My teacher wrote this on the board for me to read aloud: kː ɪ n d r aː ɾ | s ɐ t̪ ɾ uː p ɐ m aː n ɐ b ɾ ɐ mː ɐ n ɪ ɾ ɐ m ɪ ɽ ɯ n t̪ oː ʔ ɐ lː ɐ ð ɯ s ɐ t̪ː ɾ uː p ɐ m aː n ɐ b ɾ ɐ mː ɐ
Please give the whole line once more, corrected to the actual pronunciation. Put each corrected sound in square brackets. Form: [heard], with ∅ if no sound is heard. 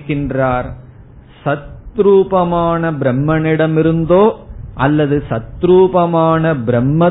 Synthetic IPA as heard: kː ɪ n d r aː ɾ | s ɐ t̪ ɾ uː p ɐ m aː n ɐ b ɾ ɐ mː ɐ n ɪ [ɽ] ɐ m ɪ [ɾ] ɯ n [d̪] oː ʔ ɐ lː ɐ ð ɯ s ɐ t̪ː ɾ uː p ɐ m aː n ɐ b ɾ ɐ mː ɐ